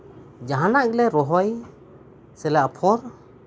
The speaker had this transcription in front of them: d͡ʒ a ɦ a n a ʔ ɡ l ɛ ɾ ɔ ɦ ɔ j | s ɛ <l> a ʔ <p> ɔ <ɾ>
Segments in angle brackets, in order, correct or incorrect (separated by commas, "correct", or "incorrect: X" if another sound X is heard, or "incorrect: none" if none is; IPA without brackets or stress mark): correct, incorrect: pʰ, correct